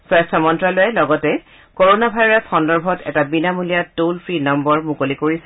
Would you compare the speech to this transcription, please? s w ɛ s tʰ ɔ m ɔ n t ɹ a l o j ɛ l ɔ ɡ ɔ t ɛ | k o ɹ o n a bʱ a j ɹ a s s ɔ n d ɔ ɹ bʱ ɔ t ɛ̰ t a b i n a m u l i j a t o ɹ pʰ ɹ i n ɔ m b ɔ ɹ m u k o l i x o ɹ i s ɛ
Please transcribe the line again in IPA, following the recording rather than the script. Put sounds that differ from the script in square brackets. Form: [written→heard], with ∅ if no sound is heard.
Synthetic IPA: s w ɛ s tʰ ɔ m ɔ n t ɹ a l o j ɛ l ɔ ɡ ɔ t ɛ | k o ɹ o n a bʱ a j ɹ a s [s→x] ɔ n d ɔ ɹ bʱ ɔ t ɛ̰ t a b i n a m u l i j a t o [ɹ→l] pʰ ɹ i n ɔ m b ɔ ɹ m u k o l i [x→k] o ɹ i s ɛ